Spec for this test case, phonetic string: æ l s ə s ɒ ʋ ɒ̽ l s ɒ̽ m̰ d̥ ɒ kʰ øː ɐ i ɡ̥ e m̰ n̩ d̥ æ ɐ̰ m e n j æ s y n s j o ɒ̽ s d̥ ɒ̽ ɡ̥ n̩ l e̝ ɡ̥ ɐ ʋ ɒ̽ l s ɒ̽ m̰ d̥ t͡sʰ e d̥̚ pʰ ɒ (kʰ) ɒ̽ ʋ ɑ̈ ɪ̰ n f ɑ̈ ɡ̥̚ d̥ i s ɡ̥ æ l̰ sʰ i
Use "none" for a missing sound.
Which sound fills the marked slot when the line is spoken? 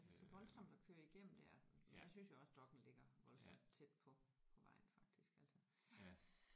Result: pʰ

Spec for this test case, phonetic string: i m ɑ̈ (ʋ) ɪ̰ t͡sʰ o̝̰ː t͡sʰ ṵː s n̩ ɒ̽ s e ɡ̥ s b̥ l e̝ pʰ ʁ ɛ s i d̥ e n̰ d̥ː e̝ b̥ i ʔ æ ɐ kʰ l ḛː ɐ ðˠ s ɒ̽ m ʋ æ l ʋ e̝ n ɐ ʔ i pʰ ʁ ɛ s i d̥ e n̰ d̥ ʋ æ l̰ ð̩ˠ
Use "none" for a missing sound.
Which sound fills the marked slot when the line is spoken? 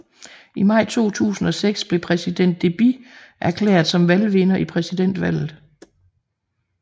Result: none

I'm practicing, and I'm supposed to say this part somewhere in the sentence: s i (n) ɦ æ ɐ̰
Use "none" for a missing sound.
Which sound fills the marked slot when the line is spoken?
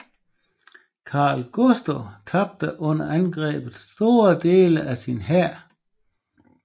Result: n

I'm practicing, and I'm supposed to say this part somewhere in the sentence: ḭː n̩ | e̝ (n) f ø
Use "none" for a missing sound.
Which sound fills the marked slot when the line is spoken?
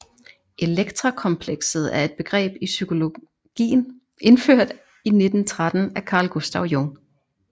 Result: n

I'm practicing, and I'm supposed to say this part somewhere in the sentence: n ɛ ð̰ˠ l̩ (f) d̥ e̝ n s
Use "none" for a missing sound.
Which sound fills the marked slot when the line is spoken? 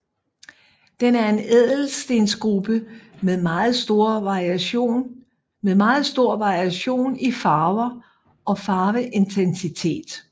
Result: s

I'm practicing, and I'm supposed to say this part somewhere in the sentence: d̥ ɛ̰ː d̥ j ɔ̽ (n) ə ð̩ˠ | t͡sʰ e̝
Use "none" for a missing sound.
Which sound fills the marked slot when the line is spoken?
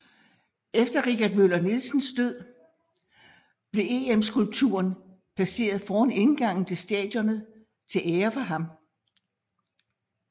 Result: n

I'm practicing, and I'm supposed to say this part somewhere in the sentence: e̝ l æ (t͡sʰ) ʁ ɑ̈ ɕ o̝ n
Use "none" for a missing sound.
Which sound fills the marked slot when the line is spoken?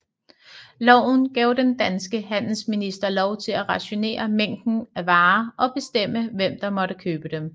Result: none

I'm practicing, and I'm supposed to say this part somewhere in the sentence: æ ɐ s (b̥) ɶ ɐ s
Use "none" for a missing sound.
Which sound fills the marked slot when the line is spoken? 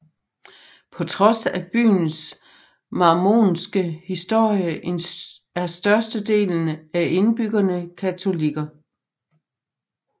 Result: d̥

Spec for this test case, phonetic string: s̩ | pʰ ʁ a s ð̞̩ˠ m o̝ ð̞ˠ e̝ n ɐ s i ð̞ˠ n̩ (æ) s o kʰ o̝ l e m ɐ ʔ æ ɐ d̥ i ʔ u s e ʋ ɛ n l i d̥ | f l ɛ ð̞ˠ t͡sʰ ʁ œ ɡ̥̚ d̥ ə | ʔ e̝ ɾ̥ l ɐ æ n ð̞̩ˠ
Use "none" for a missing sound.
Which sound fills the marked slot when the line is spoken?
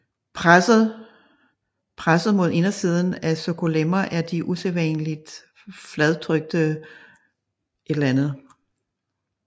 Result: æ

